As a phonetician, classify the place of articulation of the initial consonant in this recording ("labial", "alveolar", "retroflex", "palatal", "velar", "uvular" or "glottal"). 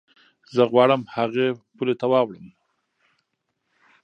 alveolar